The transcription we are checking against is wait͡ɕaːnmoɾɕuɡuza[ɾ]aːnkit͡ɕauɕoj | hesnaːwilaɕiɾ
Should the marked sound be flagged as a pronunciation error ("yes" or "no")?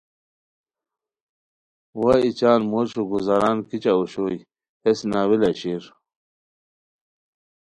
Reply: no